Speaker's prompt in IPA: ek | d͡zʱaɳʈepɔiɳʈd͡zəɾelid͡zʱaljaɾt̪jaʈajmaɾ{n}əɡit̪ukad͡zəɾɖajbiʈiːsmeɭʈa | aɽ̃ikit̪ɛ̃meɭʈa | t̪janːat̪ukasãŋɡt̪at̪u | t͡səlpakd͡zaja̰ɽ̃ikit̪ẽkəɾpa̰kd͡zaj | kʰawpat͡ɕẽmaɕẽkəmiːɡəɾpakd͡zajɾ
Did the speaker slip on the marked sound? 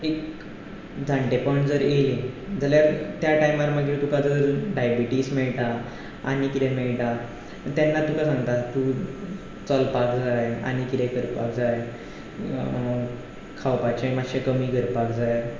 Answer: yes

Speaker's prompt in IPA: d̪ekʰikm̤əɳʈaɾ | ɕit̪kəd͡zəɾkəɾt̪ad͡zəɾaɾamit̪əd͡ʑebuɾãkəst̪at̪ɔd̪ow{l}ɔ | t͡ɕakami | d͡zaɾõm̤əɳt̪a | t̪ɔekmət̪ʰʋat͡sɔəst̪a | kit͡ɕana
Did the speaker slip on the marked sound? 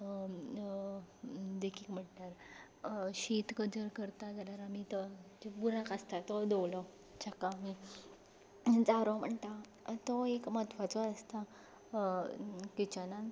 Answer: no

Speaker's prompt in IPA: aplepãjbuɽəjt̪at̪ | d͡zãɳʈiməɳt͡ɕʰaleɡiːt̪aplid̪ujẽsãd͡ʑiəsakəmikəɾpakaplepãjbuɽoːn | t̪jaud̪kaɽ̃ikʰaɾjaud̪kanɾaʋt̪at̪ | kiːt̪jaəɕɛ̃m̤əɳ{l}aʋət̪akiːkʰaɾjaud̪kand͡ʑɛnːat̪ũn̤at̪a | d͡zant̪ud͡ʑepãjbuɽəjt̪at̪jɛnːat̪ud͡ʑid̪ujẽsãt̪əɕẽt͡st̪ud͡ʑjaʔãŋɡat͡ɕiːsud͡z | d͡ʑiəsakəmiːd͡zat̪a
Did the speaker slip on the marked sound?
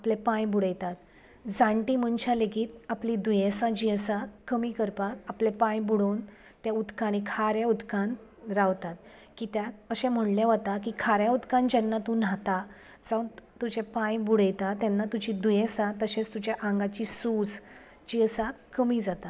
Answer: no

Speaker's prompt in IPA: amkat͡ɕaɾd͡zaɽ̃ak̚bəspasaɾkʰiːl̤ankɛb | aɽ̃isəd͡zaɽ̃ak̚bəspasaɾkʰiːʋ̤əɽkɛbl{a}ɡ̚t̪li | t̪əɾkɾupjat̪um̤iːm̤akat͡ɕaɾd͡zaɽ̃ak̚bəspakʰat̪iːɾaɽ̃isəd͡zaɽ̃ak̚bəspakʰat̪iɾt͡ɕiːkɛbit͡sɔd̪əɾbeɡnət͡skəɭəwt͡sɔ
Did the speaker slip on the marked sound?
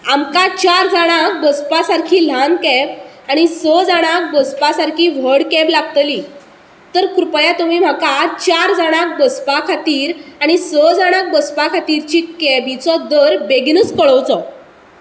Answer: no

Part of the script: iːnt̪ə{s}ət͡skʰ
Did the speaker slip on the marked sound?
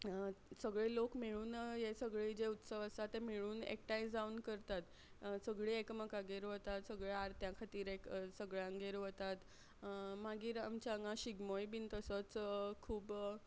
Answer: no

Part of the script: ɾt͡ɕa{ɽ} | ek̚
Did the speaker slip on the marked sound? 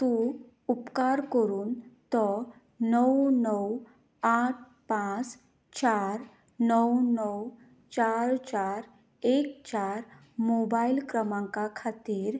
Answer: yes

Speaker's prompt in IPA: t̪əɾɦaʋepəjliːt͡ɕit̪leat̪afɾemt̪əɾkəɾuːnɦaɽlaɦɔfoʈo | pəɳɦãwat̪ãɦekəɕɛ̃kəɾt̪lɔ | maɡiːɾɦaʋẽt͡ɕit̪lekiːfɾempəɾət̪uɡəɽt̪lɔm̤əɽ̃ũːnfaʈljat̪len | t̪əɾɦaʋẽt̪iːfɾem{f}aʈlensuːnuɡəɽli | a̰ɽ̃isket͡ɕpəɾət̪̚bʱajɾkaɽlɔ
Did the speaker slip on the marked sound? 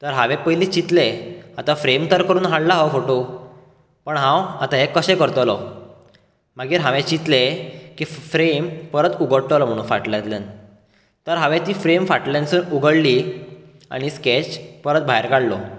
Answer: no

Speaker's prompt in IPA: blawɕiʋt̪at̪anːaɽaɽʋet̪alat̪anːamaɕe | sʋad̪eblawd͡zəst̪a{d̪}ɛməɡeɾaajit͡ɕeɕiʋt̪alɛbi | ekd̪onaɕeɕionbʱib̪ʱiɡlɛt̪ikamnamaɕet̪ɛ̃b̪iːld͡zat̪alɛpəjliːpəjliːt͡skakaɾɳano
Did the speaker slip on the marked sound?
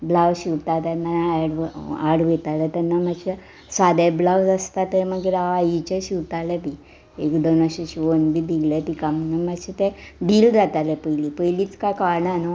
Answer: yes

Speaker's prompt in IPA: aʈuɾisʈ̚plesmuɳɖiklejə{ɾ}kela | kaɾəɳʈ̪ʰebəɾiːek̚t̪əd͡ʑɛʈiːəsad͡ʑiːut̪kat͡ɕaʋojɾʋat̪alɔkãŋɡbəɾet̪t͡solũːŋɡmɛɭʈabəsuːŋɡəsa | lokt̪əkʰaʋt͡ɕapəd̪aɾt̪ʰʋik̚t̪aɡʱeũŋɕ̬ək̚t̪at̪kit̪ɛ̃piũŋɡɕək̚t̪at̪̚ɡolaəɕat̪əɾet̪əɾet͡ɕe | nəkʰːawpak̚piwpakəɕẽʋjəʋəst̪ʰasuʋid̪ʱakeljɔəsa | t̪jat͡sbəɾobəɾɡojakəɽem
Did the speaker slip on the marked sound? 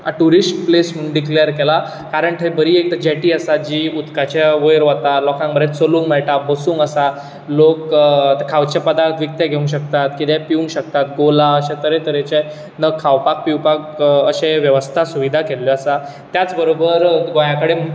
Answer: no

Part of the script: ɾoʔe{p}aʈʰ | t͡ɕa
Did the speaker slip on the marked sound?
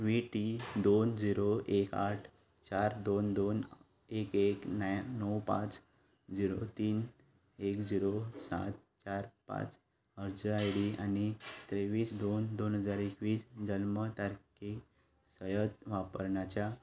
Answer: yes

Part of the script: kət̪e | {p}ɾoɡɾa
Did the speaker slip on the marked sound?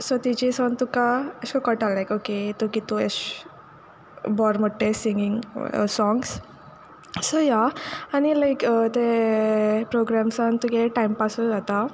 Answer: no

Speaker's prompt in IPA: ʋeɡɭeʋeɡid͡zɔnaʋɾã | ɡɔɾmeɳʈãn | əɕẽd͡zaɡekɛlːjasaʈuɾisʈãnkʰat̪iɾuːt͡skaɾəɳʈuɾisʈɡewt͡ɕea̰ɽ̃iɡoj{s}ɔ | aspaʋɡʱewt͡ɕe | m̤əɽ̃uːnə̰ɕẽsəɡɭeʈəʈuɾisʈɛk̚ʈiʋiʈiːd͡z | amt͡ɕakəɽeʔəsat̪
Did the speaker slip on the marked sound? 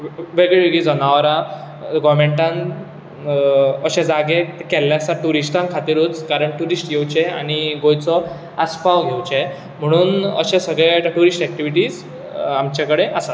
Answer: yes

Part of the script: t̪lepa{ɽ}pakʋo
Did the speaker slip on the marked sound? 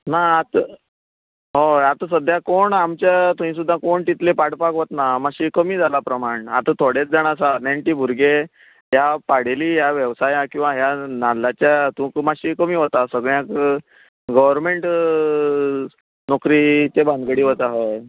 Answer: no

